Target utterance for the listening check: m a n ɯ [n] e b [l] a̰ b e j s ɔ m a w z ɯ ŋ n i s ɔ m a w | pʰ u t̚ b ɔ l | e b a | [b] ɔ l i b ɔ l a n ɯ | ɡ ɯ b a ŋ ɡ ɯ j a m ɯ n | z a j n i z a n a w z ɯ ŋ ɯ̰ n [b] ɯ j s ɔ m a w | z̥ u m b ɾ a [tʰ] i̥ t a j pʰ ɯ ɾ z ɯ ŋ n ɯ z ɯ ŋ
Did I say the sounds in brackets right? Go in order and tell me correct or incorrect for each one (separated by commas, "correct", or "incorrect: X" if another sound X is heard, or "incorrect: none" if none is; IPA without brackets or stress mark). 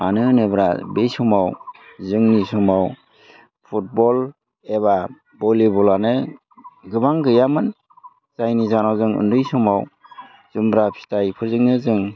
correct, incorrect: ɾ, correct, incorrect: d, incorrect: pʰ